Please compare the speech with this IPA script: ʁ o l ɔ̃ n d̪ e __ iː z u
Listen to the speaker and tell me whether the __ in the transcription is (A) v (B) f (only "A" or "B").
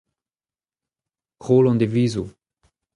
A